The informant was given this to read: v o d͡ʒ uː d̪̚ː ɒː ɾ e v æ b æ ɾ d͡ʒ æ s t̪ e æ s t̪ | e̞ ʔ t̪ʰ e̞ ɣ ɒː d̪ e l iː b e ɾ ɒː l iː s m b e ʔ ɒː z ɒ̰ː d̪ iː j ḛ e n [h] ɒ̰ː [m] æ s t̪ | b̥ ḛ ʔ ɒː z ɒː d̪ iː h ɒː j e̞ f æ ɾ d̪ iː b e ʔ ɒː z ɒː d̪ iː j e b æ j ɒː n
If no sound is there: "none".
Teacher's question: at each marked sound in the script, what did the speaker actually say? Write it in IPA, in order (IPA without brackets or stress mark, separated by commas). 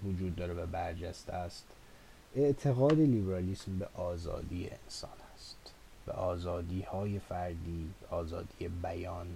s, n